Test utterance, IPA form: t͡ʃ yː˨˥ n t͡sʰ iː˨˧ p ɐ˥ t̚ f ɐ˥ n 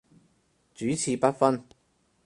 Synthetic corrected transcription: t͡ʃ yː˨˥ t͡sʰ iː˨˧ p ɐ˥ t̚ f ɐ˥ n